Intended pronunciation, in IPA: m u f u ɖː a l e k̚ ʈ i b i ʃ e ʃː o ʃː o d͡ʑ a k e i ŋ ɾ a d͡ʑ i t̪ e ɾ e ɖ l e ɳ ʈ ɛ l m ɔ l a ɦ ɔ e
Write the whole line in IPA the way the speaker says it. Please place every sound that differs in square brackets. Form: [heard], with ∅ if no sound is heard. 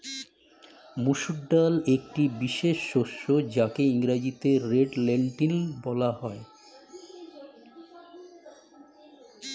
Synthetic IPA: m u [ʃ] u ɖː a l e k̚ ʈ i b i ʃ e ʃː o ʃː o d͡ʑ a k e i ŋ ɾ a d͡ʑ i t̪ e ɾ e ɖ l e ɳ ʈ [i] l [b] ɔ l a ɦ ɔ e